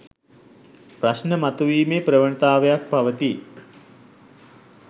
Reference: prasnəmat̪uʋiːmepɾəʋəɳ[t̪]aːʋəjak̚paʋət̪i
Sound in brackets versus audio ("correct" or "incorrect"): correct